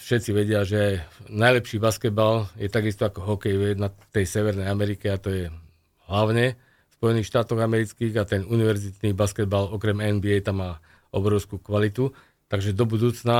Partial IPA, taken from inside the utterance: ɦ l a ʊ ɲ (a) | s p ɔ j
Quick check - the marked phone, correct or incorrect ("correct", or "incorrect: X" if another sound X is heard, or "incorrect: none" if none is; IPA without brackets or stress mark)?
incorrect: ɛ